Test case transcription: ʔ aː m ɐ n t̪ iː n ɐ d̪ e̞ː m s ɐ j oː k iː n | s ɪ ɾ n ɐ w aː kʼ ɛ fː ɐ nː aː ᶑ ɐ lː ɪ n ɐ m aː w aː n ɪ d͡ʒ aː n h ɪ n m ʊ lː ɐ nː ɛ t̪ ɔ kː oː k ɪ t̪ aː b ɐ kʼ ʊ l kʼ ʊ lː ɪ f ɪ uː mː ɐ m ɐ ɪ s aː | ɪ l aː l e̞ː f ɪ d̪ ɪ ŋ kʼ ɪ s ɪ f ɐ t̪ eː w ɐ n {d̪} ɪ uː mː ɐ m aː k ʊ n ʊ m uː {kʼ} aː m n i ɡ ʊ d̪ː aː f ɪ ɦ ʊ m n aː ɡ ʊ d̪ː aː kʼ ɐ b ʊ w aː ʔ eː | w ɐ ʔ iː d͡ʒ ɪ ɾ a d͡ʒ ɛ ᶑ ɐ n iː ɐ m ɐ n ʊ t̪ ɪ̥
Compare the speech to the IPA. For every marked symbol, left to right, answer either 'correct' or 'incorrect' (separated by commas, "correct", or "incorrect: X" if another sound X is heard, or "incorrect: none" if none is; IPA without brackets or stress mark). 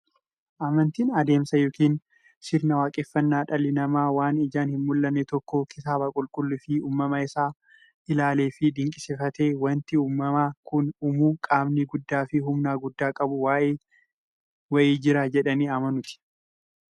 incorrect: t̪, correct